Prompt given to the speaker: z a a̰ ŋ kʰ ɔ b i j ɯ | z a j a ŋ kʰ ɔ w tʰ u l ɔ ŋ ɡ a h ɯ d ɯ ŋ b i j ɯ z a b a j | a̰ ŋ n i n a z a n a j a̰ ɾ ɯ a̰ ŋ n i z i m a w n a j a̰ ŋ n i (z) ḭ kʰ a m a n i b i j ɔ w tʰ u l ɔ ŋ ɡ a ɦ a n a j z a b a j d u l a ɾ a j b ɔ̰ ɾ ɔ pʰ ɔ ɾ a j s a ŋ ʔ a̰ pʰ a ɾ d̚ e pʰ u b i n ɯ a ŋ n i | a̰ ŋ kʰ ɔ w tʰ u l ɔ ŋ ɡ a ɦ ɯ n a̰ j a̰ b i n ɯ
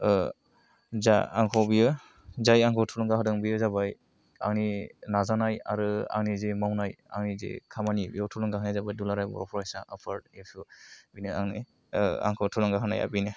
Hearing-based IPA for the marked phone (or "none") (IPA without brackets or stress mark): z